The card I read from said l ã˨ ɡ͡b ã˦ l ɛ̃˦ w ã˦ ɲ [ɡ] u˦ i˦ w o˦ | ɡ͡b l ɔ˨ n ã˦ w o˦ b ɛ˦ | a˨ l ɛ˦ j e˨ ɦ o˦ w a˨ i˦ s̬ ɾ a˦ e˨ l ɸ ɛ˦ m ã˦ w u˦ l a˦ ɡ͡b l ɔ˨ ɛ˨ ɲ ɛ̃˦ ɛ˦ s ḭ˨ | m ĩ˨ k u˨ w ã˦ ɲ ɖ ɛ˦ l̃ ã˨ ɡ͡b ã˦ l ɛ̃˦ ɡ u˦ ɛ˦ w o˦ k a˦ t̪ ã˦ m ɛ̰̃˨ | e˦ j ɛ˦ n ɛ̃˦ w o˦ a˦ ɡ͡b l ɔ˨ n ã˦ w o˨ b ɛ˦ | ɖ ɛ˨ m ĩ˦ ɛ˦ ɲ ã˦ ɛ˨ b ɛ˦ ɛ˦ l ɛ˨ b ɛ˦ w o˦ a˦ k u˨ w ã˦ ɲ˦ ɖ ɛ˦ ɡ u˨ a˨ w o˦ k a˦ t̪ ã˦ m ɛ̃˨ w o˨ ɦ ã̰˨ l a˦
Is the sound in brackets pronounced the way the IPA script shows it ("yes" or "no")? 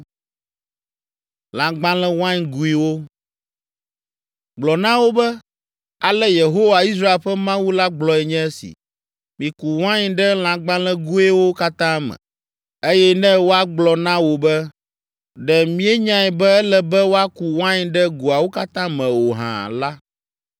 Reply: yes